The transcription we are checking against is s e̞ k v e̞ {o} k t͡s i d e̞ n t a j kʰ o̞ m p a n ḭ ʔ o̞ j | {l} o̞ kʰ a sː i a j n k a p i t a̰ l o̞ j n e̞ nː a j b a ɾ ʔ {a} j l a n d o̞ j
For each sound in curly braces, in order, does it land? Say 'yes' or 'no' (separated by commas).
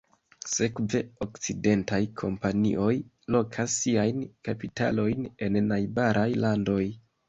yes, yes, yes